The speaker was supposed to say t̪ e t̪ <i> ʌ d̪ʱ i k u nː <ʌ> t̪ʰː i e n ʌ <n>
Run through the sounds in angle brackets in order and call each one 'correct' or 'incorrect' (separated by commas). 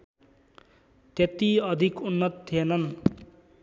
correct, correct, correct